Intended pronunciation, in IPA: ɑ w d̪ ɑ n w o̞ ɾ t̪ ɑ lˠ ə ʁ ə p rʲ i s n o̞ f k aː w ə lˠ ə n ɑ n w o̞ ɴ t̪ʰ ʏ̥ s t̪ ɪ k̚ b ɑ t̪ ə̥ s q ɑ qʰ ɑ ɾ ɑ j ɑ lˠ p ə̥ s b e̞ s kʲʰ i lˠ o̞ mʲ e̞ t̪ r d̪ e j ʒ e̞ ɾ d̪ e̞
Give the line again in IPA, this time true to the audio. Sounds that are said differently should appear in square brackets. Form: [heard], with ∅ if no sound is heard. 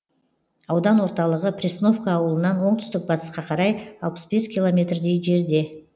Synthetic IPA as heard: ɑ w d̪ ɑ n w o̞ ɾ t̪ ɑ lˠ ə ʁ ə p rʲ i s n o̞ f k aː w ə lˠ ə n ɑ n w o̞ ɴ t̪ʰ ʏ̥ s t̪ ɪ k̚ b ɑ t̪ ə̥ s q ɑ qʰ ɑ ɾ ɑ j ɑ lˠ p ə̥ s b e̞ s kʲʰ i lˠ o̞ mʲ e̞ t̪ r d̪ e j ʒ e̞ ɾ d̪ e̞